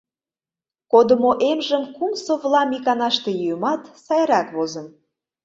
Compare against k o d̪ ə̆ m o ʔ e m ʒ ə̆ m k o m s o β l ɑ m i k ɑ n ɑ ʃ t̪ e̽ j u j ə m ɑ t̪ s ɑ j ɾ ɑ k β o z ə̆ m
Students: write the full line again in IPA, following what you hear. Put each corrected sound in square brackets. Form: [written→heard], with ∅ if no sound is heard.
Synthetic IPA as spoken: k o d̪ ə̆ m o ʔ e m ʒ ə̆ m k [o→u] m s o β l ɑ m i k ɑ n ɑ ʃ t̪ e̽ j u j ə m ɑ t̪ s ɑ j ɾ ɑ k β o z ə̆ [m→n]